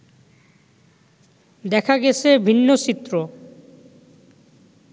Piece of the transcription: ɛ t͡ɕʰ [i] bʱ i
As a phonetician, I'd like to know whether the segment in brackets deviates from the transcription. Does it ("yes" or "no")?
yes